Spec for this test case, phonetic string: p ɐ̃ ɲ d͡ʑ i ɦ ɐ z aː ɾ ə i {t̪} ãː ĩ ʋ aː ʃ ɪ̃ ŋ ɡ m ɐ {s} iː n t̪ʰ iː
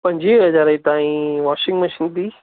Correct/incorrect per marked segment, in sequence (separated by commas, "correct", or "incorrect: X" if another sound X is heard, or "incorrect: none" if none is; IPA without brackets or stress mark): correct, incorrect: ʃ